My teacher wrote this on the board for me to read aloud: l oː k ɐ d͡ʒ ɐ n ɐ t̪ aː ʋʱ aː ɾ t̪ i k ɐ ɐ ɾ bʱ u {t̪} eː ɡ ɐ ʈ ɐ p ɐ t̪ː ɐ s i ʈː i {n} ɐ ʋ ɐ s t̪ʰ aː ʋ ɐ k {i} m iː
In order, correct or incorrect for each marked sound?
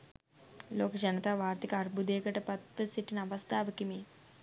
incorrect: d̪, correct, correct

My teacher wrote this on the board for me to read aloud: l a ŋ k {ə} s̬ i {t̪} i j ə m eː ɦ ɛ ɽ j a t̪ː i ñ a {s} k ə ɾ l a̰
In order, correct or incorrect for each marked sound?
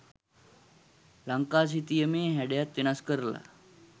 incorrect: a, correct, correct

